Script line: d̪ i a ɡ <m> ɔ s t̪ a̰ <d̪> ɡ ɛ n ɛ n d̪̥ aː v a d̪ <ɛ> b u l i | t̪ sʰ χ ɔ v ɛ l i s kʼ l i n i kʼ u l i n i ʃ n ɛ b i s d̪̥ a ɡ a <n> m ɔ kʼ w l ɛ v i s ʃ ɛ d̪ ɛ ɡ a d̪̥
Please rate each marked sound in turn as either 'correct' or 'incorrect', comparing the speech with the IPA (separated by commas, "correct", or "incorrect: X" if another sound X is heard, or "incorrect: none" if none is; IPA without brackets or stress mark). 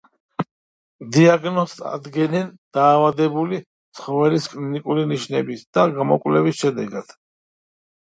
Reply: incorrect: n, correct, correct, incorrect: none